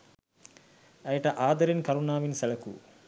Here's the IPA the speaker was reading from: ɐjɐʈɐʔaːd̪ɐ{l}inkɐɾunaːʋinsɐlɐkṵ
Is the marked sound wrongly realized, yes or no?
yes